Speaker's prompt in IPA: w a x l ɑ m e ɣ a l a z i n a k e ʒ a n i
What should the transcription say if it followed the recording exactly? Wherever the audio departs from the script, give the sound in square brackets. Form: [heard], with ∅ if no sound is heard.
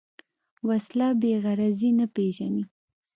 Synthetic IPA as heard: w a [s] l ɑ [b] e ɣ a [ɾ] a z i n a [p] e ʒ a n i